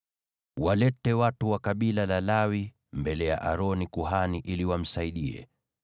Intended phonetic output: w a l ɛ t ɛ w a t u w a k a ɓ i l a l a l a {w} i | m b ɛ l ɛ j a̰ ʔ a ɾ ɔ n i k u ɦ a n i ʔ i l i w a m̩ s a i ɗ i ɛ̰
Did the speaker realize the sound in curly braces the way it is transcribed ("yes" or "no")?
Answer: yes